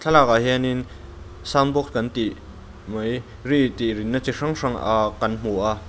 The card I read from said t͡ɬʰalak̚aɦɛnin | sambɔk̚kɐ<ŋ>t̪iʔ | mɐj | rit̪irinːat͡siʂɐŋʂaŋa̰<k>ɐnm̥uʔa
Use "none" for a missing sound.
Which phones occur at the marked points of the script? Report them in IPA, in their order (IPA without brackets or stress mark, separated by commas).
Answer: n, k